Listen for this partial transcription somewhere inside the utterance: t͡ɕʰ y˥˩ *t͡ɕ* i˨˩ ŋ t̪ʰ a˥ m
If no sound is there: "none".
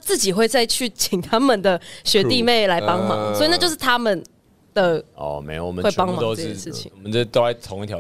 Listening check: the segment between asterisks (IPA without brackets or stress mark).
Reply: t͡ɕʰ